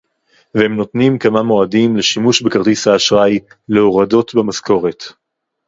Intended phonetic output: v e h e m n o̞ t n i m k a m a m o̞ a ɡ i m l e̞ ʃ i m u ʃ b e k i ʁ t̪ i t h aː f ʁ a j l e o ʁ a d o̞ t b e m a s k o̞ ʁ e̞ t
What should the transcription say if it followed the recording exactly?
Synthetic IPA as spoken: v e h e m n o̞ t n i m k a m a m o̞ a d i m l e̞ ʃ i m u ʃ b e k a ʁ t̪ i s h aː ʃ ʁ a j l e o ʁ a d o̞ t b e m a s k o̞ ʁ e̞ t